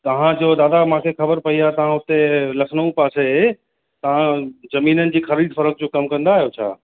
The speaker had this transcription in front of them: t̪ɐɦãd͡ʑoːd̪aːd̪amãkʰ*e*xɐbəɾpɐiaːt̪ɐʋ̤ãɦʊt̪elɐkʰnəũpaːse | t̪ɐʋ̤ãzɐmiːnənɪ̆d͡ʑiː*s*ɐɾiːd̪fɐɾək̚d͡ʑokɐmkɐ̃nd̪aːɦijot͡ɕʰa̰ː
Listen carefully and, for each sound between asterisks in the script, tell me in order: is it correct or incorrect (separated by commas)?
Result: correct, incorrect